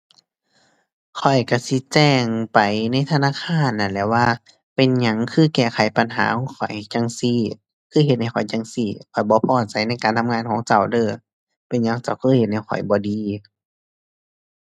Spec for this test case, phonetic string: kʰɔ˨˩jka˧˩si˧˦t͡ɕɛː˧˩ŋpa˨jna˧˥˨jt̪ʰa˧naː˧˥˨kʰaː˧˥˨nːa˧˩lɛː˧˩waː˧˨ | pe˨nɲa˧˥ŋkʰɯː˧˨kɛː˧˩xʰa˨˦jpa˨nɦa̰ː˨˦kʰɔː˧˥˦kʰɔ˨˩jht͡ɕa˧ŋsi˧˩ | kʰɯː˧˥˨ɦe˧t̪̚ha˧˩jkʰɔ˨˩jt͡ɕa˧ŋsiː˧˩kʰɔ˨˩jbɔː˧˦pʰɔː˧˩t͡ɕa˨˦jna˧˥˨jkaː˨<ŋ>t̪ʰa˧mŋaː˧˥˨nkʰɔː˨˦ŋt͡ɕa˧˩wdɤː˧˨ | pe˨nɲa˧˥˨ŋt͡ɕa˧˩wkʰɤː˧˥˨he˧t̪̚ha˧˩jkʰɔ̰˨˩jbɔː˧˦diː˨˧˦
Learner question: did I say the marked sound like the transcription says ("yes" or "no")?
no